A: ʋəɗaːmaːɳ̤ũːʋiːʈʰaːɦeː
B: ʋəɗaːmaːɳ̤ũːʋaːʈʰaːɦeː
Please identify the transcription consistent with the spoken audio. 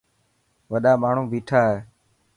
A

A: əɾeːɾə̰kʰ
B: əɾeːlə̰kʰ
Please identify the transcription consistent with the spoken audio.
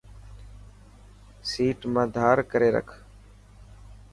A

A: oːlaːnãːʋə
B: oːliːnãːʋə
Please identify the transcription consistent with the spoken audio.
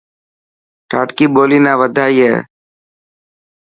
B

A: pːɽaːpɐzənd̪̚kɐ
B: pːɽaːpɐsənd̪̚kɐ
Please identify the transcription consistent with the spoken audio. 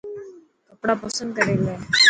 B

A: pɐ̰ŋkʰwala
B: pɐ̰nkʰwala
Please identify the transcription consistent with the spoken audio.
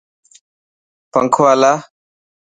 A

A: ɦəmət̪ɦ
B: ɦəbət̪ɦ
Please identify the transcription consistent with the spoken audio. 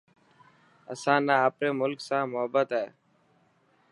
B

